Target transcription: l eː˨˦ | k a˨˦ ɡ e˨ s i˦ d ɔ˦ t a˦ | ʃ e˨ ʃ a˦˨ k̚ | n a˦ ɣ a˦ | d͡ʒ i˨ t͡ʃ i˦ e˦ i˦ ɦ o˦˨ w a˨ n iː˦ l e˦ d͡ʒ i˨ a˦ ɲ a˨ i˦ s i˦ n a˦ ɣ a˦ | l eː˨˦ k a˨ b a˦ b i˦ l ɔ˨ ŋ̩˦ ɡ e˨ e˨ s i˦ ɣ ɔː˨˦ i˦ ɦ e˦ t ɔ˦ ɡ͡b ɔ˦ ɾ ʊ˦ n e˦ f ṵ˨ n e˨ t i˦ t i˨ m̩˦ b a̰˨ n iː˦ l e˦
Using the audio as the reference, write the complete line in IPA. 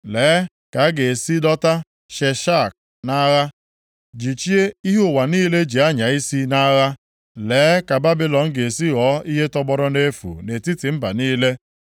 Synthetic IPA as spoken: l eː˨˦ | k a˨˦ ɡ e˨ s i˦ d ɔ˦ t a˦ | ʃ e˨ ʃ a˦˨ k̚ | n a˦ ɣ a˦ | d͡ʒ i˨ t͡ʃ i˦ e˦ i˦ ɦ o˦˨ w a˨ n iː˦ l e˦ d͡ʒ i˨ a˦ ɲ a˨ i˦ s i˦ n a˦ ɣ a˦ | l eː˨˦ k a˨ b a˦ b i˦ l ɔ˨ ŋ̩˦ ɡ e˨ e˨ s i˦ ɣ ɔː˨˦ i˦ ɦ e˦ t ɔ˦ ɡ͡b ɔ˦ ɾ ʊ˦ n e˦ f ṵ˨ n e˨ t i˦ t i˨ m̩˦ b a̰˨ n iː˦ l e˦